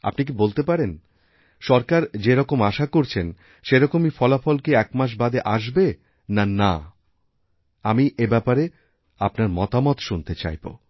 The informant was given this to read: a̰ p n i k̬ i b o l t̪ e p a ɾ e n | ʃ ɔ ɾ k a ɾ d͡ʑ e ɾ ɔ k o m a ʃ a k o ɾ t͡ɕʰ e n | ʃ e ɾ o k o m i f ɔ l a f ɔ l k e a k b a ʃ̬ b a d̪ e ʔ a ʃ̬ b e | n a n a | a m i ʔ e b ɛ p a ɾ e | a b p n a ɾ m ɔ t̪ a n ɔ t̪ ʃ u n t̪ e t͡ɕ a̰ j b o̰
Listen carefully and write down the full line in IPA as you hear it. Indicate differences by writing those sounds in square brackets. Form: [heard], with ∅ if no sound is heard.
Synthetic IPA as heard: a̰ p n i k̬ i b o l t̪ e p a ɾ e n | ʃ ɔ ɾ k a ɾ d͡ʑ e ɾ ɔ k o m a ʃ a k o ɾ t͡ɕʰ e n | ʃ e ɾ [ɔ] k o m i f ɔ l a f ɔ l k e [ɛ] k [m] a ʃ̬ b a d̪ e ʔ a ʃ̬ b e | n a n a | a m i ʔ e b ɛ p a ɾ e | a [∅] p n a ɾ m ɔ t̪ a [m] ɔ t̪ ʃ u n t̪ e t͡ɕ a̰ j b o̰